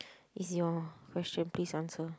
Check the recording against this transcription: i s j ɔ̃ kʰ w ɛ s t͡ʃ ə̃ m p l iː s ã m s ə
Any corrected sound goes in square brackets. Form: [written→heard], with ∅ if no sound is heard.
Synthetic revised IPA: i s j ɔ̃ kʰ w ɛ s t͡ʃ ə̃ [m→n] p l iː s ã [m→n] s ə